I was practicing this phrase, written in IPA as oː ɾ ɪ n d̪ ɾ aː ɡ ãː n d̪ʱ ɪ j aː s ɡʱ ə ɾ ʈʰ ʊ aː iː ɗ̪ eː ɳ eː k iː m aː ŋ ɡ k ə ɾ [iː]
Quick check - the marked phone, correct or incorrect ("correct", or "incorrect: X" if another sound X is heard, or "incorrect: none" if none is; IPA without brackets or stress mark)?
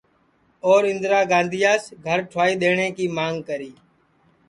correct